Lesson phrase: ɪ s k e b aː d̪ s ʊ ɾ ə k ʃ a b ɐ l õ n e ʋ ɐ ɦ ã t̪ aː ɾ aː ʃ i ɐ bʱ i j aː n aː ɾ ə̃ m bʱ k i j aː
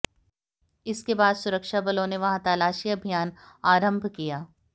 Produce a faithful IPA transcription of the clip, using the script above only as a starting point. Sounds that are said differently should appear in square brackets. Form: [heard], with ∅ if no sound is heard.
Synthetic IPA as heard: ɪ s k e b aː d̪ s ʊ ɾ ə k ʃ a b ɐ l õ n e ʋ ɐ ɦ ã t̪ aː [l] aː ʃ i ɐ bʱ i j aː n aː ɾ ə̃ m bʱ k i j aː